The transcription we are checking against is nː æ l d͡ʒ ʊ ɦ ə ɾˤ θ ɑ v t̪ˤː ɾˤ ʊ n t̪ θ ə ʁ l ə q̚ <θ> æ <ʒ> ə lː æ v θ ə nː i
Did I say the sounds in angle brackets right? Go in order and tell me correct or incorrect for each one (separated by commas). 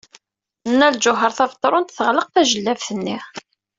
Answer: correct, correct